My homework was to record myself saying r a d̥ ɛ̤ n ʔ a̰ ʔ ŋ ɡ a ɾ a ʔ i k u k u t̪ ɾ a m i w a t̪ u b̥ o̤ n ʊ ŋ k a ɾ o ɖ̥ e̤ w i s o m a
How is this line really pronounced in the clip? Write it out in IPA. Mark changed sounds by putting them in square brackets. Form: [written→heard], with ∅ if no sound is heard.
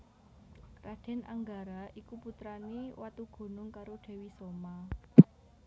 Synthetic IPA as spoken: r a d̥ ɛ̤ n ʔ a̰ [ʔ→∅] ŋ ɡ a ɾ a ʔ i k u [k→p] u t̪ ɾ a [m→n] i w a t̪ u [b̥→ɡ̥] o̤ n ʊ ŋ k a ɾ o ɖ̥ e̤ w i s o m a